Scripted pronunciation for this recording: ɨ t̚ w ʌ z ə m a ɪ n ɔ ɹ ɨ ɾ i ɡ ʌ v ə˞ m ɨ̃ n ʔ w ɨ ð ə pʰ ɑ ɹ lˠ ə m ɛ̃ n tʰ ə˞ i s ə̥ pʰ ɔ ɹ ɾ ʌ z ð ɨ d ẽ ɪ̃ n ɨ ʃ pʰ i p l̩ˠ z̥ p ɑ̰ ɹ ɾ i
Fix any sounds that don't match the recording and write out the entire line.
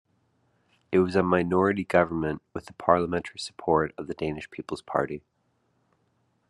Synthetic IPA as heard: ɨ t̚ w ʌ z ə m a ɪ n ɔ ɹ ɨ ɾ i ɡ ʌ v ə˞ m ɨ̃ n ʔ w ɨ ð ə pʰ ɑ ɹ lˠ ə m ɛ̃ n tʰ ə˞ i s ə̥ pʰ ɔ ɹ ɾ ʌ v ð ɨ d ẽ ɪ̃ n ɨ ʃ pʰ i p l̩ˠ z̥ pʰ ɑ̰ ɹ ɾ i